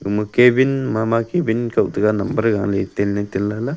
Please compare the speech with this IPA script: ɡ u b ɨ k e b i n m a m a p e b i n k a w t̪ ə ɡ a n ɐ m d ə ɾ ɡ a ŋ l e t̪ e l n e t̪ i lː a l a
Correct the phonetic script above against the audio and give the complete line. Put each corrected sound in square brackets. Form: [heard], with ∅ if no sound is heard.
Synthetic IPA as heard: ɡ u [m] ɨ k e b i n m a m a [k] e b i n k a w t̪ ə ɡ a n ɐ m [b] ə ɾ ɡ a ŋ l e t̪ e l n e t̪ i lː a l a